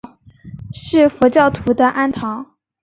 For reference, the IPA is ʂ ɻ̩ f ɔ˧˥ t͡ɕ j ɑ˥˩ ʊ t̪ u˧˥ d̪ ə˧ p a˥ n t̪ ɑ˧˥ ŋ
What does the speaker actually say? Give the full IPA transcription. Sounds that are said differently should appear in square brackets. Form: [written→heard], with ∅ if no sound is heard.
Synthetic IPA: ʂ ɻ̩ f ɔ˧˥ t͡ɕ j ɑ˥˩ ʊ [t̪→t̪ʰ] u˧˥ d̪ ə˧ [p→ʔ] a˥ n [t̪→t̪ʰ] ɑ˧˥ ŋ